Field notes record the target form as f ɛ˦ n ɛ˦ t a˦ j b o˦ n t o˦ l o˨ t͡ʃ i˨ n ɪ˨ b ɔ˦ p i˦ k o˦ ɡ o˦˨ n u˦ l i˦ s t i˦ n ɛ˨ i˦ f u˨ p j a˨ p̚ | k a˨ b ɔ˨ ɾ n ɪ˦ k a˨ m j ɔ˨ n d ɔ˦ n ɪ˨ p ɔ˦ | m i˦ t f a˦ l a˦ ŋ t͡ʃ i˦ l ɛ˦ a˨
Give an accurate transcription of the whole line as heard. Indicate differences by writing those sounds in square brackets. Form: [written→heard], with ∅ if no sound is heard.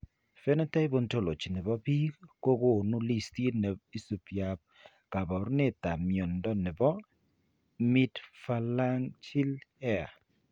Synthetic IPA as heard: f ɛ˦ n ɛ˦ t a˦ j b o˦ n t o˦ l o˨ t͡ʃ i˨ n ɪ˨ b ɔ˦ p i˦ k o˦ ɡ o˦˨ n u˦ l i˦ s t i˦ n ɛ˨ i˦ [f→s] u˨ p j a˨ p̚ | k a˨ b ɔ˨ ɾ n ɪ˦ [k→t] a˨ m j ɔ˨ n d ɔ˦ n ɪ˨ [p→b] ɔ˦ | m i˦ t f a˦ l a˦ ŋ t͡ʃ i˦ l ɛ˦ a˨